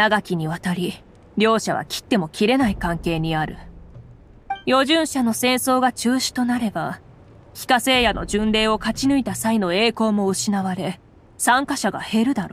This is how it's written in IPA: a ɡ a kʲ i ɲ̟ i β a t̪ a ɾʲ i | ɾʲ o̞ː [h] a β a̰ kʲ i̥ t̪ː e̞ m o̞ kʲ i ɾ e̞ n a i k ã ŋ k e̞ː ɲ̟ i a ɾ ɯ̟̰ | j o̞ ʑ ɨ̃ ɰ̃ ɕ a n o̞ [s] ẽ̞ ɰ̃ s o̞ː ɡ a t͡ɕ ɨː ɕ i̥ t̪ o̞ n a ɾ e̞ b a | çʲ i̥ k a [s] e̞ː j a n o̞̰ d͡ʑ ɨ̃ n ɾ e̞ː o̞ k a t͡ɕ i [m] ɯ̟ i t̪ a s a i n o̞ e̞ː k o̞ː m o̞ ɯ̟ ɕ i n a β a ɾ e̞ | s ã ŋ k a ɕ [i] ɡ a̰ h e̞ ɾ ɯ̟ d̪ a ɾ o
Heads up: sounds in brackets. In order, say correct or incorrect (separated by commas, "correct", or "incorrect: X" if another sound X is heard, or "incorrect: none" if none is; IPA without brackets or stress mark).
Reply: incorrect: ɕ, correct, correct, incorrect: n, incorrect: a